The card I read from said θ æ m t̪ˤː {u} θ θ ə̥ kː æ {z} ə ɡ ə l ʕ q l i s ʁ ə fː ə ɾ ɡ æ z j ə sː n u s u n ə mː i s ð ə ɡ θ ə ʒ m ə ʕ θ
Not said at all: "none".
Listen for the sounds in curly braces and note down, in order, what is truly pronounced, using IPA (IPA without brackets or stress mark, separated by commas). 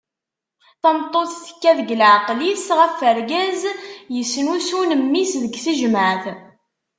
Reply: o, ð